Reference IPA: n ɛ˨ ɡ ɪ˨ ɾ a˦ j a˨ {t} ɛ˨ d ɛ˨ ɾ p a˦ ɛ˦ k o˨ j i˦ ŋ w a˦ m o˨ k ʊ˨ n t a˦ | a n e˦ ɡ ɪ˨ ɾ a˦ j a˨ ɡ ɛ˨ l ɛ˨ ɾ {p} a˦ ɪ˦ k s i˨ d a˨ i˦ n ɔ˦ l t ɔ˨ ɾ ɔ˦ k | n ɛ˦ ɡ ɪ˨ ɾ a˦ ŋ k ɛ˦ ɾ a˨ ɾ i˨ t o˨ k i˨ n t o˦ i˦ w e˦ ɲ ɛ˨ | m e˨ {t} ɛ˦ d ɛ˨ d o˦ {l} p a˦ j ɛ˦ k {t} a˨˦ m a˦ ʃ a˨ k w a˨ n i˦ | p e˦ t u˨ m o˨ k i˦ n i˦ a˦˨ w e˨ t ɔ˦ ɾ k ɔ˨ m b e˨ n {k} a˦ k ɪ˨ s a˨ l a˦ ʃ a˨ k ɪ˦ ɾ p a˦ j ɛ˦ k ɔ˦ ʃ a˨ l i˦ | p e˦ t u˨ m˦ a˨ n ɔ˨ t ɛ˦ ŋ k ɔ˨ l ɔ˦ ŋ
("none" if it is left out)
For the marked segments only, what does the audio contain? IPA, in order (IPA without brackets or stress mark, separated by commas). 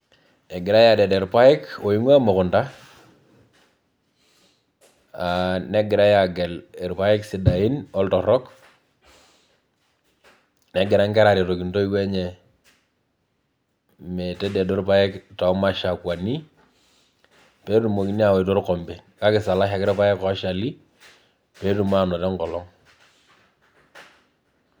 d, p, t, ɾ, t, k